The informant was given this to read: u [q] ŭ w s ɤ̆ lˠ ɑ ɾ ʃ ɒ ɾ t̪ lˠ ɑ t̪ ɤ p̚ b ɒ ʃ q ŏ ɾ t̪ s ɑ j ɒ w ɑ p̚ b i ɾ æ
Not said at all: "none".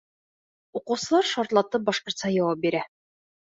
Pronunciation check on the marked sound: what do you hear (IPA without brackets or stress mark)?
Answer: q